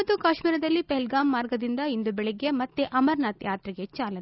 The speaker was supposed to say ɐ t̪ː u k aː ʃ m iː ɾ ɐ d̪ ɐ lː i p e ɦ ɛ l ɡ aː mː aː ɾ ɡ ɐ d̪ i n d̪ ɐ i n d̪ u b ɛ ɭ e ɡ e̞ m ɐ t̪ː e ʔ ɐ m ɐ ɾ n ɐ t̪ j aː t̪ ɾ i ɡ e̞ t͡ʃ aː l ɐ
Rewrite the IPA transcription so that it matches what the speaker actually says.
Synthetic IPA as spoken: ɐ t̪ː u k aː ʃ m iː ɾ ɐ d̪ ɐ lː i p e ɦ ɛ l ɡ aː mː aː ɾ ɡ ɐ d̪ i n d̪ ɐ i n d̪ u b ɛ ɭ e ɡ e̞ m ɐ t̪ː e ʔ ɐ m ɐ ɾ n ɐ t̪ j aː t̪ ɾ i ɡ e̞ t͡ʃ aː l ɐ